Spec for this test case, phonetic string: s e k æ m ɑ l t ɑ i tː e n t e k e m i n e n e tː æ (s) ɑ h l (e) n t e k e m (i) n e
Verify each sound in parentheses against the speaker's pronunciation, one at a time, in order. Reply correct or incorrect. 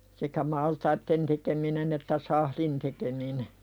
correct, incorrect: i, correct

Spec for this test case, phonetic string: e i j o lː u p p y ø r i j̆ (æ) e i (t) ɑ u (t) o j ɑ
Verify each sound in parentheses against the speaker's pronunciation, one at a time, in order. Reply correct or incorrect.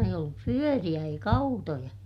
correct, incorrect: k, correct

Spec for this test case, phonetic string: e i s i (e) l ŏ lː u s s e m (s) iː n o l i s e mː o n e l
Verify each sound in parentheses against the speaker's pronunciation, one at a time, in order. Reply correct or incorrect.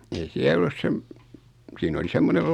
incorrect: æ, correct

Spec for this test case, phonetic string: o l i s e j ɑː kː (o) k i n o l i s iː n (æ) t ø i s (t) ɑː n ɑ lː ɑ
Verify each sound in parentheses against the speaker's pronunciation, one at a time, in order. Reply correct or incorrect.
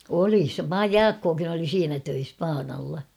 incorrect: oː, correct, incorrect: p

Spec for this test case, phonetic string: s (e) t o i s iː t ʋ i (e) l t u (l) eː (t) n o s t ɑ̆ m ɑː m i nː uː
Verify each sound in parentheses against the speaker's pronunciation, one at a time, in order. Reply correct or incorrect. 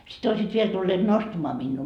incorrect: i, correct, incorrect: lː, correct

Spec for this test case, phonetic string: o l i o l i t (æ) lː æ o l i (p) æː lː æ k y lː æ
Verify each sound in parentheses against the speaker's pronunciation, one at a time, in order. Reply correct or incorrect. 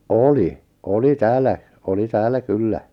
incorrect: æː, incorrect: t

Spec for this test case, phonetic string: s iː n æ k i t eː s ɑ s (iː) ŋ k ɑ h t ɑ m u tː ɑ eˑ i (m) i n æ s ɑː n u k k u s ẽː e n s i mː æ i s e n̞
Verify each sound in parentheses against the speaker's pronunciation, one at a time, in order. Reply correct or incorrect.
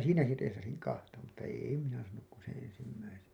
incorrect: i, correct

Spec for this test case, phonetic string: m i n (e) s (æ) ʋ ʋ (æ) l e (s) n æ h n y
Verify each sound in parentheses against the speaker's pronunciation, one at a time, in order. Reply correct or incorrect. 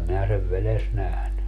incorrect: æ, incorrect: e, incorrect: e, correct

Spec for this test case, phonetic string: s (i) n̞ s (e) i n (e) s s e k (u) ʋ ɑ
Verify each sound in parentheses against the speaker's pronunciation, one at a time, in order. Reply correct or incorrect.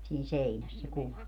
incorrect: iː, correct, incorrect: æ, correct

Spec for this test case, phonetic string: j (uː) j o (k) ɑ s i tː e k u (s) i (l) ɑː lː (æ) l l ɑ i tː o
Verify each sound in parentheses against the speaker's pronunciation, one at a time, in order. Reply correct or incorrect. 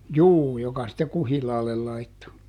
correct, correct, incorrect: h, correct, incorrect: e

